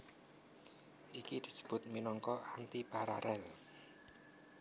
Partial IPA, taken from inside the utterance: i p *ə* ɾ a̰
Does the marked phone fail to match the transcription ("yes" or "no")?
yes